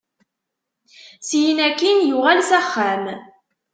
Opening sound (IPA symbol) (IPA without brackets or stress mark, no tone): s